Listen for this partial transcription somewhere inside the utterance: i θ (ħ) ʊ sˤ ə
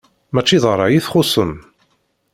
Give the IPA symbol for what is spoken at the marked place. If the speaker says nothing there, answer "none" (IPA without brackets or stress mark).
χ